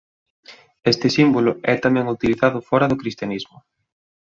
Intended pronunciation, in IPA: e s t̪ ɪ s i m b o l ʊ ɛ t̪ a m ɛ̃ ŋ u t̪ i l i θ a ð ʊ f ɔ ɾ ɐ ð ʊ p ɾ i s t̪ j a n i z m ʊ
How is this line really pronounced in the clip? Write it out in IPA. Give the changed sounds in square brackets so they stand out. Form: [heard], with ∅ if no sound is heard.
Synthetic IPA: e s t̪ ɪ s i m b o l ʊ ɛ t̪ a m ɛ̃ ŋ u t̪ i l i θ a ð ʊ f ɔ ɾ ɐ ð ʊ [k] ɾ i s t̪ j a n i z m ʊ